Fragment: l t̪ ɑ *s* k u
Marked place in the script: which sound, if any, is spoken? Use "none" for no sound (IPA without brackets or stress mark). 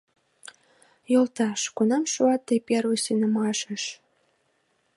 ʃ